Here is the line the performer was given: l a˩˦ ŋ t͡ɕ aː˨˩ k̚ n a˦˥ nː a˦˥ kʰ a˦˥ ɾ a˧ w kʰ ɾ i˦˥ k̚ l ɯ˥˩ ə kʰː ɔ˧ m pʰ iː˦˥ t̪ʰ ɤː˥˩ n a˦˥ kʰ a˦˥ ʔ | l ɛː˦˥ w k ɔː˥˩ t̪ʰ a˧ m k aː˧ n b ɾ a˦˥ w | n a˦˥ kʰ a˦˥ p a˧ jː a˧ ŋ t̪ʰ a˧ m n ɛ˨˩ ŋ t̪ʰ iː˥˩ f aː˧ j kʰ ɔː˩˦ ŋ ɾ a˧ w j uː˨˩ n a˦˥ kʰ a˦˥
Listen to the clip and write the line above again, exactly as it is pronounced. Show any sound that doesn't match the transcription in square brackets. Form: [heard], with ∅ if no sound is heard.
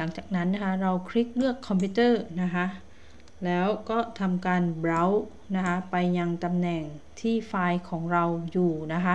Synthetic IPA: l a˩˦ ŋ t͡ɕ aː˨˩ k̚ n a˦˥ nː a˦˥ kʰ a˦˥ ɾ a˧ w kʰ ɾ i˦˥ k̚ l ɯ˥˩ ə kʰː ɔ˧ m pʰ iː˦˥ [t̪] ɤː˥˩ n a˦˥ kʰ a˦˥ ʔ | l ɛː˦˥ w k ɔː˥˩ t̪ʰ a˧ m k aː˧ n b ɾ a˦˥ w | n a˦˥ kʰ a˦˥ p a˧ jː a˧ ŋ [t̪] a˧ m n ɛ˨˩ ŋ t̪ʰ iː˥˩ f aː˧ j kʰ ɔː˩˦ ŋ ɾ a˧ w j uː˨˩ n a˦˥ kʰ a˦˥